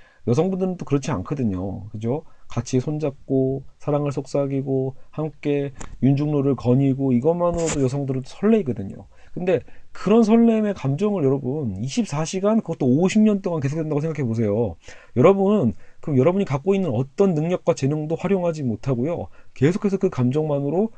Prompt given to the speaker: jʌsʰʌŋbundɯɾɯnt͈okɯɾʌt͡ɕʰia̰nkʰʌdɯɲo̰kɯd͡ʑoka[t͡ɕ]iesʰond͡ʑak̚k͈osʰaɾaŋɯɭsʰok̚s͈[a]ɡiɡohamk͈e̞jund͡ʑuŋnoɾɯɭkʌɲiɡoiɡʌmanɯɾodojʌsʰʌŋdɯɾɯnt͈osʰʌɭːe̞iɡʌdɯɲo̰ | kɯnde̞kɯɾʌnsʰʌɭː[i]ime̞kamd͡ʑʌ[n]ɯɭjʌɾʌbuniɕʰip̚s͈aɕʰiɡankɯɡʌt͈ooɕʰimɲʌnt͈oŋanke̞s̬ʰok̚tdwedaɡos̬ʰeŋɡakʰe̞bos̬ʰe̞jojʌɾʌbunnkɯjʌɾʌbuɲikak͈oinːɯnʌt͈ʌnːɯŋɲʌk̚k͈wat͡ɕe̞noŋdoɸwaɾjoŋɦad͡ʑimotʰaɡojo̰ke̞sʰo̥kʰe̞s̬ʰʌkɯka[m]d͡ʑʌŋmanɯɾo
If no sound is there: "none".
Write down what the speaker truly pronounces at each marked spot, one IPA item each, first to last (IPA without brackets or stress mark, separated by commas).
t͡ɕʰ, a, e, ŋ, m